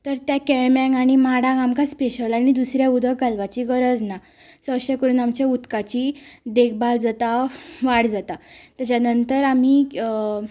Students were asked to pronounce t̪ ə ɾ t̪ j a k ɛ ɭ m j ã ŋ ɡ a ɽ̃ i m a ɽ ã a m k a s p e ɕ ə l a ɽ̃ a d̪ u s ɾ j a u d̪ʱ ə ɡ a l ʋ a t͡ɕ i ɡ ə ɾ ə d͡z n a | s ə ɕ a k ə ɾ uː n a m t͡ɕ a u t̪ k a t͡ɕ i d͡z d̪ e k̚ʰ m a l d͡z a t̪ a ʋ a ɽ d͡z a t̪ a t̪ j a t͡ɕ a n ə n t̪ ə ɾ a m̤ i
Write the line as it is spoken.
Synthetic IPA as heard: t̪ ə ɾ t̪ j a k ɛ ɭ m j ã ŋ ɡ a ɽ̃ i m a ɽ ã a m k a s p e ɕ ə l a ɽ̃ i d̪ u s ɾ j a u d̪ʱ ə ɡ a l ʋ a t͡ɕ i ɡ ə ɾ ə d͡z n a | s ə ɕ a k ə ɾ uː n a m t͡ɕ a u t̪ k a t͡ɕ i d̪ e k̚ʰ b a l d͡z a t̪ a ʋ a ɽ d͡z a t̪ a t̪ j a t͡ɕ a n ə n t̪ ə ɾ a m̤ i